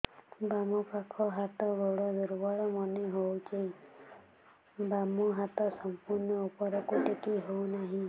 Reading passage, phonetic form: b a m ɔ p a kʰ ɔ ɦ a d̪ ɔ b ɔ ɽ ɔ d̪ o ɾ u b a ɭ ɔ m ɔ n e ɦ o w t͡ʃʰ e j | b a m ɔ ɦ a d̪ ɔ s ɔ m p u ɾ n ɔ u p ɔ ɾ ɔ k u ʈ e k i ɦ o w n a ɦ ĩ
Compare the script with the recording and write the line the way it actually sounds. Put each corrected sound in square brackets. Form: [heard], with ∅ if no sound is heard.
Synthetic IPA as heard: b a m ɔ p a kʰ ɔ ɦ a [t̪] ɔ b ɔ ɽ ɔ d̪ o ɾ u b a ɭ ɔ m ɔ n e ɦ o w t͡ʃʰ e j | b a m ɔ ɦ a [t̪] ɔ s ɔ m p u ɾ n ɔ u p ɔ ɾ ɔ k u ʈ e k i ɦ o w n a ɦ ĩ